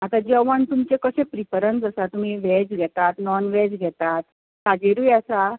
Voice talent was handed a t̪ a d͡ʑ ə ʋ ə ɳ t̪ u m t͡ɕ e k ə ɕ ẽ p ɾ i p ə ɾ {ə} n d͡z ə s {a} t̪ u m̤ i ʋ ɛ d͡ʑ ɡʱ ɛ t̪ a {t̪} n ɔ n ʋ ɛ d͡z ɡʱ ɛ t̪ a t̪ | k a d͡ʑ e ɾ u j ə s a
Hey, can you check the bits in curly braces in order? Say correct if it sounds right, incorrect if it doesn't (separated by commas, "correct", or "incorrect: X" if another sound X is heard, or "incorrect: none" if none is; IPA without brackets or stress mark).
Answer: correct, correct, correct